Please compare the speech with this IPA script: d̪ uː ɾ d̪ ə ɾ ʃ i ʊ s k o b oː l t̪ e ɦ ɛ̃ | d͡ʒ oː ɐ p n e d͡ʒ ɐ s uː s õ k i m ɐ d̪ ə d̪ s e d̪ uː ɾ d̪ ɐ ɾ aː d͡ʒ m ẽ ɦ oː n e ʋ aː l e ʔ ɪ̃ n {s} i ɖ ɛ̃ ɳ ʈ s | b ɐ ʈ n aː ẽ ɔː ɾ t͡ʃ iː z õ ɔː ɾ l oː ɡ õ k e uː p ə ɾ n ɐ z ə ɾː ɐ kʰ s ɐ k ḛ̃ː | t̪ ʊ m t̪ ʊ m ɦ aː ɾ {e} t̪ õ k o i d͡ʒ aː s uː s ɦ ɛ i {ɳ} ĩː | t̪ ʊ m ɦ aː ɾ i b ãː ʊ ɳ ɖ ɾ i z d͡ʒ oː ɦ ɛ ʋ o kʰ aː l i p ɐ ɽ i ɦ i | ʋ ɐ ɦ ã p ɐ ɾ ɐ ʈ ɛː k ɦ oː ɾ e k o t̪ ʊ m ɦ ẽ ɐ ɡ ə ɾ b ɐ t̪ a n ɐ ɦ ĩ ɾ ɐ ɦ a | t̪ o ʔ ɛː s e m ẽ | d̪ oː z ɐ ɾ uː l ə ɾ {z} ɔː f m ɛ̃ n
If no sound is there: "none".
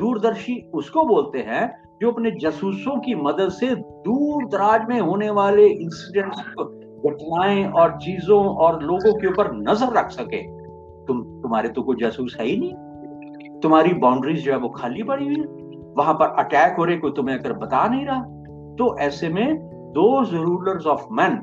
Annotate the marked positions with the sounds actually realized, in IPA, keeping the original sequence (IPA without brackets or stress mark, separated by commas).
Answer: s, e, n, z